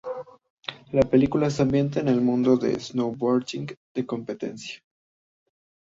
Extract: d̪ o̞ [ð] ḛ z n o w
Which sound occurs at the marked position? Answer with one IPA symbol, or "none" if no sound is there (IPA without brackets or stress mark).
ð